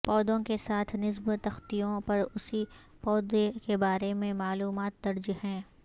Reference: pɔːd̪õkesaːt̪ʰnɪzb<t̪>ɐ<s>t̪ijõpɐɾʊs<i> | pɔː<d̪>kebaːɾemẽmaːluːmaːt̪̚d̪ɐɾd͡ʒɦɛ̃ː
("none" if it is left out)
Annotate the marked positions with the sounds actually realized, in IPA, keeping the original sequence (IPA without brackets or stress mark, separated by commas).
t̪, x, i, d̪